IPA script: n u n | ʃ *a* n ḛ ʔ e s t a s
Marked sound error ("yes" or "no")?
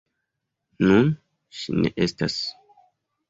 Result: yes